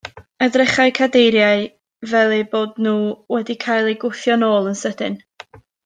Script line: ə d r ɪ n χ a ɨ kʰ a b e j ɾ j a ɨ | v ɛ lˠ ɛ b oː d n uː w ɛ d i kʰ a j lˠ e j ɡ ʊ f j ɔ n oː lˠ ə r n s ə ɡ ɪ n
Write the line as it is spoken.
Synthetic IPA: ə d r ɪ χ a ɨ kʰ a d e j ɾ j a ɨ | v ɛ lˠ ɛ b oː d n uː w ɛ d i kʰ a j lˠ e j ɡ ʊ θ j ɔ n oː lˠ ə n s ə d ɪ n